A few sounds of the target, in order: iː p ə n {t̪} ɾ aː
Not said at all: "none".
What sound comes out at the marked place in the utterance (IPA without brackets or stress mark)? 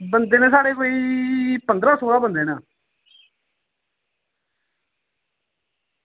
d̪